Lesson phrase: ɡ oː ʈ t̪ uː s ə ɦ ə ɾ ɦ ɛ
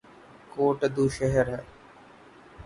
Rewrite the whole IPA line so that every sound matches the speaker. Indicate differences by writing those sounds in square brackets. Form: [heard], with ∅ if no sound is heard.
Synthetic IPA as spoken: [k] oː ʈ [d̪] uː [ʃ] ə ɦ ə ɾ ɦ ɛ